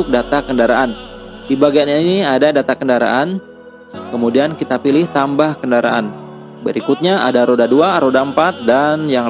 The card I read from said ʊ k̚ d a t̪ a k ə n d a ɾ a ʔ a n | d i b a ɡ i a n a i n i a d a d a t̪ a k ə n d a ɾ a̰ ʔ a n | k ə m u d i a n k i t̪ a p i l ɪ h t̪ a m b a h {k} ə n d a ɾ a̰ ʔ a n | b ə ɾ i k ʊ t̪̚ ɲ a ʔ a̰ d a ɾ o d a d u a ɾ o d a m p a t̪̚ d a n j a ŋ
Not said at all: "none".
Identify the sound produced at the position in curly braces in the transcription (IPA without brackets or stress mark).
k